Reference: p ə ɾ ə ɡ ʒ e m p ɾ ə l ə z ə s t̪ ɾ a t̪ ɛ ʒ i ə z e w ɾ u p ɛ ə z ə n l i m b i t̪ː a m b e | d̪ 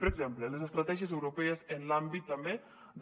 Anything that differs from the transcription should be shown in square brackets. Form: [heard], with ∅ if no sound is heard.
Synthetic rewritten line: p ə ɾ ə ɡ [z] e m p [l] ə l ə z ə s t̪ ɾ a t̪ ɛ ʒ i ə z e w ɾ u p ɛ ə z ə n l [a] m b i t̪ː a m b e | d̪